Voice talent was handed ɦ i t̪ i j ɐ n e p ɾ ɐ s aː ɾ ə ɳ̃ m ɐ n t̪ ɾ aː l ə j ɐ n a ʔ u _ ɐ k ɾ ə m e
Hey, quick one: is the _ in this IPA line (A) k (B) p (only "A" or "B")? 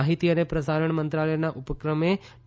B